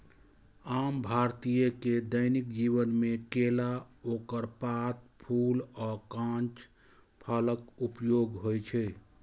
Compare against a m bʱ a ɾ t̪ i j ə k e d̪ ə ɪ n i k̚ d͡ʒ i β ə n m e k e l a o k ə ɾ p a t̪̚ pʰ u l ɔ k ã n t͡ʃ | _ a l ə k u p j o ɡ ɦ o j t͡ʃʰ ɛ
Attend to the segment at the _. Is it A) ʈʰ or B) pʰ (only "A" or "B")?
B